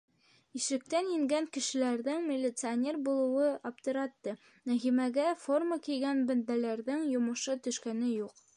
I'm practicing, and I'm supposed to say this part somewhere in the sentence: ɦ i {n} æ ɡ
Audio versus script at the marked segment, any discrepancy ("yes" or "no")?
yes